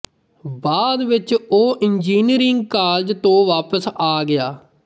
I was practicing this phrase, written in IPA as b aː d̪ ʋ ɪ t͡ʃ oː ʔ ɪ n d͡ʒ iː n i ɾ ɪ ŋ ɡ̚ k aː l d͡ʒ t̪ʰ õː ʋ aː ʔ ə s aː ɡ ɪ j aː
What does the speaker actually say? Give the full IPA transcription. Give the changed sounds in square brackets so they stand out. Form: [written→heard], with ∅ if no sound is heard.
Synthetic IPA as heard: b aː d̪ ʋ ɪ t͡ʃ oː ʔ ɪ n d͡ʒ iː n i ɾ ɪ ŋ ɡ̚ k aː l d͡ʒ [t̪ʰ→t̪] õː ʋ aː [ʔ→p] ə s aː ɡ ɪ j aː